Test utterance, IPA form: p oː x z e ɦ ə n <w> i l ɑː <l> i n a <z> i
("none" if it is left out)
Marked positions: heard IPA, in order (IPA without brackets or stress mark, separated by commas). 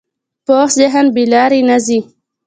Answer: b, ɾ, z